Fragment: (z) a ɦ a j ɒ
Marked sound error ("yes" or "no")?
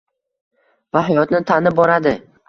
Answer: yes